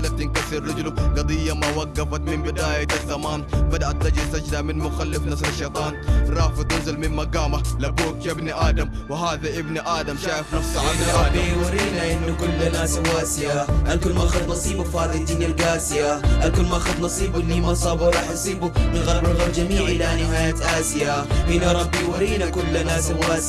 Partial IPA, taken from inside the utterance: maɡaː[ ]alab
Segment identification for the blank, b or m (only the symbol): m